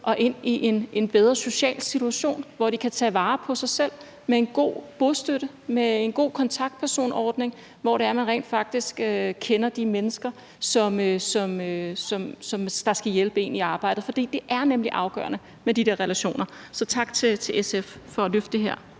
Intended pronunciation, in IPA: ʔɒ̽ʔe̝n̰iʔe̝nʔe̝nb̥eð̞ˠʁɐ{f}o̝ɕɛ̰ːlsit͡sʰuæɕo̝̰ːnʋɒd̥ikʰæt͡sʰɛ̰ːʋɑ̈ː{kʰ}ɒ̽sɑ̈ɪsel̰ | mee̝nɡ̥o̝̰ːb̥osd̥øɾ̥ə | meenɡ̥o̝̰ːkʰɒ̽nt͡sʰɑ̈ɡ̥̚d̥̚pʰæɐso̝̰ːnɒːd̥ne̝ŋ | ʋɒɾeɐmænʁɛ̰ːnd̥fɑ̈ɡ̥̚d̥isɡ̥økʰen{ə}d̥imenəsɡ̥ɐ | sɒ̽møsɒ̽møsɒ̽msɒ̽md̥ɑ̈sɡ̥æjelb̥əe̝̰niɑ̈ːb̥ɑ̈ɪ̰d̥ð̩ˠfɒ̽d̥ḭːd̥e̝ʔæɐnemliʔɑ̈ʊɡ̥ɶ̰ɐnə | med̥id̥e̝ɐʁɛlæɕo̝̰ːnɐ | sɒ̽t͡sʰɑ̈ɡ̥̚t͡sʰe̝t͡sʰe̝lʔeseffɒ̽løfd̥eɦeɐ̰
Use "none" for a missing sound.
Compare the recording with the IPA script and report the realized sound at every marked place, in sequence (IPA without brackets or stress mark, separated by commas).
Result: s, pʰ, ɐ